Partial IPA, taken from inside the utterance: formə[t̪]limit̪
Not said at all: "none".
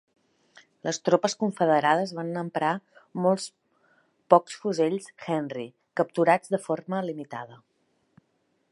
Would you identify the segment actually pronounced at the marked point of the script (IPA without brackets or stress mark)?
none